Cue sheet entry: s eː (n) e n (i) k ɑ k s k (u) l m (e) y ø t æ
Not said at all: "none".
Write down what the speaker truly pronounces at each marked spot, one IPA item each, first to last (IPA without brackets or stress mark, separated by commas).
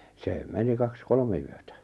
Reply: m, i, o, e